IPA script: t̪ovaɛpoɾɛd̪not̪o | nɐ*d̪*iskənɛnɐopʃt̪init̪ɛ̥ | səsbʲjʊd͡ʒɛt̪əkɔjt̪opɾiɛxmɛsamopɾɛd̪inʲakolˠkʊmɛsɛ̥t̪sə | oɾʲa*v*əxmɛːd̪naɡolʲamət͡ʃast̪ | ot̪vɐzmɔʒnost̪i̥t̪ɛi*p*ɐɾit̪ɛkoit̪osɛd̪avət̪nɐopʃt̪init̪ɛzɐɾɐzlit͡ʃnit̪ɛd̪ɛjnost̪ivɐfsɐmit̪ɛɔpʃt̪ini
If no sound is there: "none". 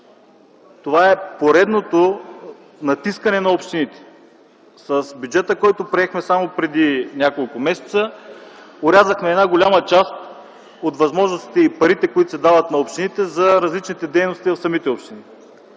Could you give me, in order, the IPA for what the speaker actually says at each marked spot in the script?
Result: t̪, z, p

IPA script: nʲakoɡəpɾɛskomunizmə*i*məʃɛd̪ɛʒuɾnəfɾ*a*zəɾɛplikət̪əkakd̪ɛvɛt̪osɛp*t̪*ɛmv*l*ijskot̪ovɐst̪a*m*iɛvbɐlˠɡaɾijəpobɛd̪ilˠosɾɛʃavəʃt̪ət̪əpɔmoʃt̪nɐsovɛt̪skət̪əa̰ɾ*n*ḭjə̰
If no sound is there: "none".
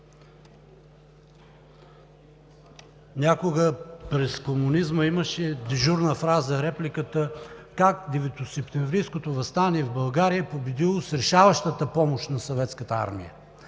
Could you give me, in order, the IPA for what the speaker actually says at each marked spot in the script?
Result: i, a, t̪, ɾ, n, m

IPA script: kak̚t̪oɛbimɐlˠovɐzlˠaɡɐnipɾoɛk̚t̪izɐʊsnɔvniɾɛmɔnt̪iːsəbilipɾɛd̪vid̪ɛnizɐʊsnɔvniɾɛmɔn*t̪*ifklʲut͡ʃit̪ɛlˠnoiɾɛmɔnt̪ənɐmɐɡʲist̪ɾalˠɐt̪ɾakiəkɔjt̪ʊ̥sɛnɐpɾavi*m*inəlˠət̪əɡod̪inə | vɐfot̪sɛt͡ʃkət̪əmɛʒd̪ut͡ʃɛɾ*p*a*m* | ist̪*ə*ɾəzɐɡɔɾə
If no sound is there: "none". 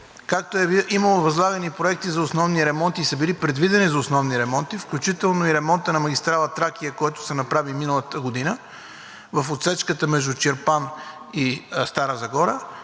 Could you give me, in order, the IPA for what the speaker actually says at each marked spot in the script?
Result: t̪, m, p, n, a

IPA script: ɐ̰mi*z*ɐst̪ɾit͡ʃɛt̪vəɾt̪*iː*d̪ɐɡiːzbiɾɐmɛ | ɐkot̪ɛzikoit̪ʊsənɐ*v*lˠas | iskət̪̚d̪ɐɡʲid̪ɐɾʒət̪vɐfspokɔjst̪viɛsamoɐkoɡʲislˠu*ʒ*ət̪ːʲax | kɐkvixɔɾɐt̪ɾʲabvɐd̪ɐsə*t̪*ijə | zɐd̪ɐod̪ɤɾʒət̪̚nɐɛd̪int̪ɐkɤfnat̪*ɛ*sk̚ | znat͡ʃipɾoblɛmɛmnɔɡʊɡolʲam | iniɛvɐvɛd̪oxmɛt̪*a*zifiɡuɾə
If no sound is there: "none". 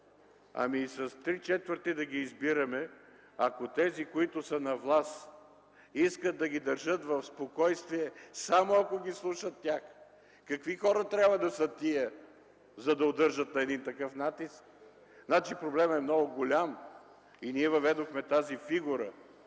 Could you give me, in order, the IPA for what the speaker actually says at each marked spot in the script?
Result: s, i, v, ʃ, t̪, i, a

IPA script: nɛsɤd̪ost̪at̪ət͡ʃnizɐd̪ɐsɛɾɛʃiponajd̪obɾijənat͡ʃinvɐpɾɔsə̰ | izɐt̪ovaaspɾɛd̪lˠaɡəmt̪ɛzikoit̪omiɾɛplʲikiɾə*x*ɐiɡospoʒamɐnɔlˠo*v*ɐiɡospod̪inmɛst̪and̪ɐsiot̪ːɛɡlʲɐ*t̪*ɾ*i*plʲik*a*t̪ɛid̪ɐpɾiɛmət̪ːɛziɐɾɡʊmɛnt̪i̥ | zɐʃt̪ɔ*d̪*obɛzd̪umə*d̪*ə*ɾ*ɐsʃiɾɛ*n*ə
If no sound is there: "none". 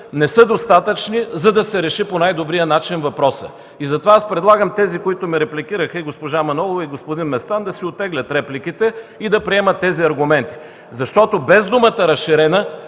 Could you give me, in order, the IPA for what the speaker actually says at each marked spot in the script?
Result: x, v, t̪, ɛ, i, t̪, t̪, ɾ, n

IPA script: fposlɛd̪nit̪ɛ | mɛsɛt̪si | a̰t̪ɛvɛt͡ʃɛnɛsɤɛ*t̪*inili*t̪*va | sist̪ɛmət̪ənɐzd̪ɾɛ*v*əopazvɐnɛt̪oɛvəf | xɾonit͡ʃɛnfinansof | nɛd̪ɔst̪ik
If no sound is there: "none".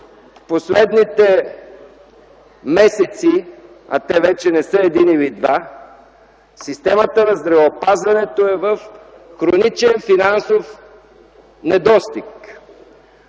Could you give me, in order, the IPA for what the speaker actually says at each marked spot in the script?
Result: d̪, d̪, v

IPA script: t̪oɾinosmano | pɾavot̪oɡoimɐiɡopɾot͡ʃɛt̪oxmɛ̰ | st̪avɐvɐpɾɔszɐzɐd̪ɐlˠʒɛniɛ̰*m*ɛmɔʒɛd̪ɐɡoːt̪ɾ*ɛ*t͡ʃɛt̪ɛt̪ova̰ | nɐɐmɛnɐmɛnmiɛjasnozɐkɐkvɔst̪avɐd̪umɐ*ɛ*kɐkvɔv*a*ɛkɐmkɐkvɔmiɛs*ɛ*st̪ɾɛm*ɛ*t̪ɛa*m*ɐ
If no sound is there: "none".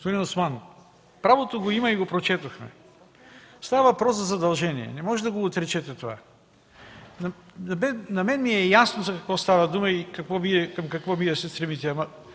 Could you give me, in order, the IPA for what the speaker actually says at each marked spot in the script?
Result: n, ɛ, i, i, ɛ, i, m

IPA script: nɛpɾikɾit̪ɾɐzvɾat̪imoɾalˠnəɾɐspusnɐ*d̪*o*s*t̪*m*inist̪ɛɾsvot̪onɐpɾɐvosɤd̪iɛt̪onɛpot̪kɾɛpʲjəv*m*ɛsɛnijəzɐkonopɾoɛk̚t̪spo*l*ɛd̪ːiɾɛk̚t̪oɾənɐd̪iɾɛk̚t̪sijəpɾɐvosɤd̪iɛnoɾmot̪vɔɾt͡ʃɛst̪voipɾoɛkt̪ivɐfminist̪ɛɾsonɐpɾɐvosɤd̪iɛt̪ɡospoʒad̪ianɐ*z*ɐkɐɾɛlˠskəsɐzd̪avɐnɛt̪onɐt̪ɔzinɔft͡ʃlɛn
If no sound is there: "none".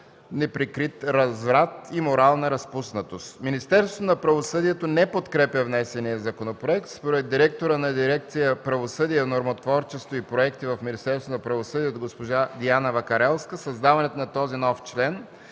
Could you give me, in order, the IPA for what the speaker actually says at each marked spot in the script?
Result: t̪, s, m, n, ɾ, v

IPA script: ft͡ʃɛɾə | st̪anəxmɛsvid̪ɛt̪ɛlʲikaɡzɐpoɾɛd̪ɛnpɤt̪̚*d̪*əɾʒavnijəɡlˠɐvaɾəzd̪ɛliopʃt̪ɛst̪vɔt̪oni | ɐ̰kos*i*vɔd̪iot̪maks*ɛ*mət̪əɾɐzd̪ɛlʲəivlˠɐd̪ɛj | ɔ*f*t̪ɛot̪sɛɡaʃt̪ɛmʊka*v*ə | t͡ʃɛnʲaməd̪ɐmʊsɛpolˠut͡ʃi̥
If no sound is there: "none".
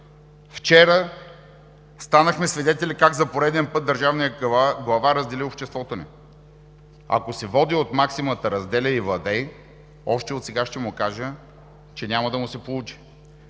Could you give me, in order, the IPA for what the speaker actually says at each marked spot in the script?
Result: d̪, ɛ, i, ʃ, ʒ

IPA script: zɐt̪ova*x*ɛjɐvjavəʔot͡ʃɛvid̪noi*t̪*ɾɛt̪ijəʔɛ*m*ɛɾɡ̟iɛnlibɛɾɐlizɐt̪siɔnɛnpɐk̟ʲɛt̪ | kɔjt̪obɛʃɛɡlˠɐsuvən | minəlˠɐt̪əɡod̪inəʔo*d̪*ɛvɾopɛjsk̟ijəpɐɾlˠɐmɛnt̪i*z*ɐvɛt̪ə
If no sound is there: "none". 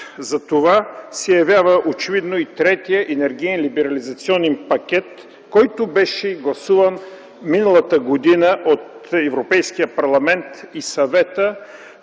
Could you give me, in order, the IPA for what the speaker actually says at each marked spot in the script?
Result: s, t̪, n, t̪, s

